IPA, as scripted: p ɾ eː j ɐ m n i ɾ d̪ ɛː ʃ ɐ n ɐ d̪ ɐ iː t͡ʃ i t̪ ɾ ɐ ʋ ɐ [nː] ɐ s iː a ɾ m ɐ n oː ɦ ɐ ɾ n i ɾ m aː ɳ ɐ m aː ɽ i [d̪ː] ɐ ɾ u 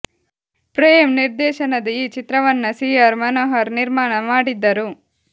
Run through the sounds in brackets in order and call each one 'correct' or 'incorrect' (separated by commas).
correct, correct